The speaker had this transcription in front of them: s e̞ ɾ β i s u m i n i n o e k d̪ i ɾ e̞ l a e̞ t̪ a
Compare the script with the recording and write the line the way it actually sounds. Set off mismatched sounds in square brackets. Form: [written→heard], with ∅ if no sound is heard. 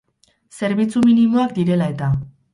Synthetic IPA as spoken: s e̞ ɾ β i [s→t͡s] u m i n i [n→m] o [e→a] k d̪ i ɾ e̞ l a e̞ t̪ a